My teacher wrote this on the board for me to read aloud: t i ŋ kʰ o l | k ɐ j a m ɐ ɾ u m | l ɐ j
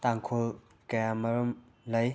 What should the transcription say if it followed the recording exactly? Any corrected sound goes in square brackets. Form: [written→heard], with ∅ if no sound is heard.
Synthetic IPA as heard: t [i→a] ŋ kʰ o l | k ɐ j a m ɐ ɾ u m | l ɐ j